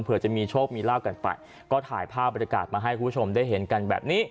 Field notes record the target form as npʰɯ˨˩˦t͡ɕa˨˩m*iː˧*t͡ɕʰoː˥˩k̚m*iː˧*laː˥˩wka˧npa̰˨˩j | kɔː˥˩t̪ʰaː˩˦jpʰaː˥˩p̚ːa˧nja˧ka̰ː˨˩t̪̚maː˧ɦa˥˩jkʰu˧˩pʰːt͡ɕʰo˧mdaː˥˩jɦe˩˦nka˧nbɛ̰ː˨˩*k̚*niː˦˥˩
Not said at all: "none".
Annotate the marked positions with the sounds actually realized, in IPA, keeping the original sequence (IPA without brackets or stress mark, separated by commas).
iː˧, iː˧, p̚